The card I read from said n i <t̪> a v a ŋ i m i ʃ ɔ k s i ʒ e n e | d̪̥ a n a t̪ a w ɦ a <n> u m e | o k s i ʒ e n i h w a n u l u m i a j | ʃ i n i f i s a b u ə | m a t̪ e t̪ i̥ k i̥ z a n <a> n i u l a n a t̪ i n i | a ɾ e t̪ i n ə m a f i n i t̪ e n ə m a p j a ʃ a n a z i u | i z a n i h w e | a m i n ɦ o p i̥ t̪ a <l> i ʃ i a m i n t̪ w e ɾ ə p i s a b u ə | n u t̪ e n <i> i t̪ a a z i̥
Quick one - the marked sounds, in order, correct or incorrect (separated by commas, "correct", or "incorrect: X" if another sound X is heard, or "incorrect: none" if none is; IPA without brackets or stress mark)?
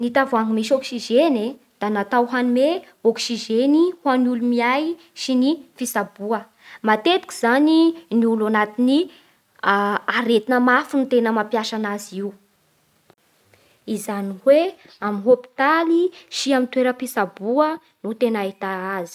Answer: correct, correct, incorrect: i, correct, incorrect: a